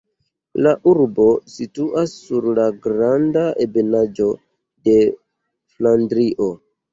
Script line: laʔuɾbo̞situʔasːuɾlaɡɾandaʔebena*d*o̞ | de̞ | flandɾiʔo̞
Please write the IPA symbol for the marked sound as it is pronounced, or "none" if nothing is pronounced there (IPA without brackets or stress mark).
d͡ʒ